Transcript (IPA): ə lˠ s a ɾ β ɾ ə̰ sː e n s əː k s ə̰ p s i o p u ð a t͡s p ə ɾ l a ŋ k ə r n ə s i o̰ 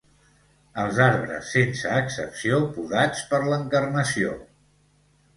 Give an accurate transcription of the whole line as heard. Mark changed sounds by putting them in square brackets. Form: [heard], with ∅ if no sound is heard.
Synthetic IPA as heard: ə lˠ [z] a ɾ β ɾ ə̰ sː e n s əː k s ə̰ p s i o p u ð a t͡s p ə ɾ l [ə] ŋ k ə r n ə s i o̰

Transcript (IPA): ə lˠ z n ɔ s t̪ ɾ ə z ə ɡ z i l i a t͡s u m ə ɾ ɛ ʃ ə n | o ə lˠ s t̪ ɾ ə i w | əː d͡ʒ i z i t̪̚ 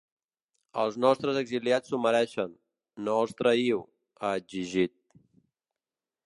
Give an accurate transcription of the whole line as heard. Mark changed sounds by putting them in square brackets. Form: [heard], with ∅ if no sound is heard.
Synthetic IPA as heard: ə lˠ z n ɔ s t̪ ɾ ə z ə ɡ z i l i a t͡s u m ə ɾ ɛ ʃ ə [nː] | o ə lˠ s t̪ ɾ ə i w | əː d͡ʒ i [ʒ] i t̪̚

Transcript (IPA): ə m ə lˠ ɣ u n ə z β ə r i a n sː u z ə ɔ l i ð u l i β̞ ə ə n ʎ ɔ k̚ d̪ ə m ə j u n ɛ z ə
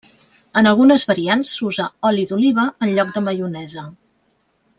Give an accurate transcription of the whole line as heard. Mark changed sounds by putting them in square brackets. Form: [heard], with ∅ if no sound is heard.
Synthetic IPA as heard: ə [n] ə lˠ ɣ u n ə z β ə [ɾ] i a n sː u z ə ɔ l i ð u l i β̞ ə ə n ʎ ɔ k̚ d̪ ə m ə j u n ɛ z ə

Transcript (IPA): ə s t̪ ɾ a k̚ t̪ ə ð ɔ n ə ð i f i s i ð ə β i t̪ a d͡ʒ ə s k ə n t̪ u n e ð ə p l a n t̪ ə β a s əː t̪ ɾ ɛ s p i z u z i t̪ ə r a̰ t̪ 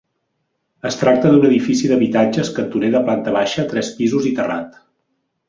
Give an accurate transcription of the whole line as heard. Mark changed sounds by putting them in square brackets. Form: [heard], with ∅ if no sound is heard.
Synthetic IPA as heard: ə s t̪ ɾ a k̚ t̪ ə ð [u] n ə ð i f i s i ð ə β i t̪ a d͡ʒ ə s k ə n t̪ u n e ð ə p l a n t̪ ə β a [ʃ] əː t̪ ɾ ɛ s p i z u z i t̪ ə r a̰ t̪

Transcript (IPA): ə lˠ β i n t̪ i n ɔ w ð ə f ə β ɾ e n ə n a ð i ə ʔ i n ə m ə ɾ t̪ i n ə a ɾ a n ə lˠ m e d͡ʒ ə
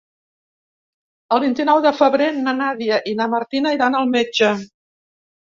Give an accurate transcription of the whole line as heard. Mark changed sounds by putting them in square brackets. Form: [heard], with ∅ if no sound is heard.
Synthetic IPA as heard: ə lˠ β i n t̪ i n ɔ w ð ə f ə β ɾ e n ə n a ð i ə ʔ i n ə m ə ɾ t̪ i n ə [i] ɾ a n ə lˠ m e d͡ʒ ə

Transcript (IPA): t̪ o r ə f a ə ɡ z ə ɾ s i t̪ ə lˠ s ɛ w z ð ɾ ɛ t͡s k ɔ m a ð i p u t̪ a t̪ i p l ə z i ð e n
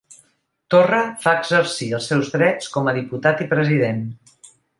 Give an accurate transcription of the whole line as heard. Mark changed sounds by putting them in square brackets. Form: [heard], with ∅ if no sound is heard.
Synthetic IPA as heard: t̪ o r ə f a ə ɡ z ə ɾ s i [∅] ə lˠ s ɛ w z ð ɾ ɛ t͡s k ɔ m [ə] ð i p u t̪ a t̪ i p [ɾ] ə z i ð e n

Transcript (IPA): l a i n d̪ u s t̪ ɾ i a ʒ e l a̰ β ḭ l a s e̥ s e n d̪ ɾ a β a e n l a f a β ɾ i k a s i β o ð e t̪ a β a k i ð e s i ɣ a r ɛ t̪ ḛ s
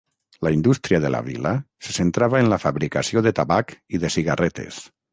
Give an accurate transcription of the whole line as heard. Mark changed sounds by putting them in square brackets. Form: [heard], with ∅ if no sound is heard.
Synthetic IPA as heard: l a i n d̪ u s t̪ ɾ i a [ð] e l a̰ β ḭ l a s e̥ s e n [t̪] ɾ a β a e n l a f a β ɾ i k a s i [∅] o ð e t̪ a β a k i ð e s i ɣ a r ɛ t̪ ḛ s

